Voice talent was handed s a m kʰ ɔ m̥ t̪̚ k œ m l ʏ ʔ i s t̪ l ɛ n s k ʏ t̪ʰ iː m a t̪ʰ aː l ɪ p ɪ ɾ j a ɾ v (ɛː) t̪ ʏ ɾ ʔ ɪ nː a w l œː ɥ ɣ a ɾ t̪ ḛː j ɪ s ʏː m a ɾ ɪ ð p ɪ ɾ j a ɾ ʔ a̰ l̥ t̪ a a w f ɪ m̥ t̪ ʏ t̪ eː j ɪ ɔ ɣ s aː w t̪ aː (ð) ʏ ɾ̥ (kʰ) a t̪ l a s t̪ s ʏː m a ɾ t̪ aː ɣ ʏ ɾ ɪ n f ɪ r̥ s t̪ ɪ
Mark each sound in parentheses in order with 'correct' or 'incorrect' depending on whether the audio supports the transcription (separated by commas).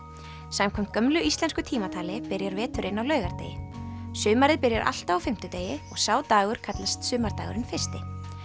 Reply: correct, incorrect, correct